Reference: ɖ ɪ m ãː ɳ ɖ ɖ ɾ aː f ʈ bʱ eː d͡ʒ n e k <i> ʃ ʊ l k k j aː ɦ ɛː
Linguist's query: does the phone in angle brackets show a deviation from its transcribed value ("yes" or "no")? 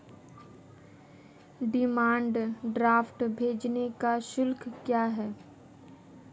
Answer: yes